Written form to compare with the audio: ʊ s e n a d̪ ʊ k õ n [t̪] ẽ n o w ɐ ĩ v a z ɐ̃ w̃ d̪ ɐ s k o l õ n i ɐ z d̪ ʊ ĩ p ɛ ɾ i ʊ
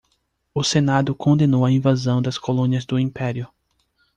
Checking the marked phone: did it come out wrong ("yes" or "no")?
yes